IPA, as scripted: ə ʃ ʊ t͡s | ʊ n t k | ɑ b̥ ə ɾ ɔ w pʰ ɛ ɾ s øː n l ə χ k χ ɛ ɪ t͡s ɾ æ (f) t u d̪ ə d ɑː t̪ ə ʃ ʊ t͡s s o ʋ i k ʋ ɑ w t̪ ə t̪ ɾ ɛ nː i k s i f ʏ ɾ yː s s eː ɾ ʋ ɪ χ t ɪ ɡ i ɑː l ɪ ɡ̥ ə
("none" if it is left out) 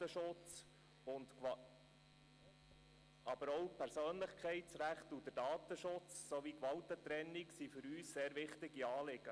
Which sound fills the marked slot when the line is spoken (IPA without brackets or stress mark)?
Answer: χ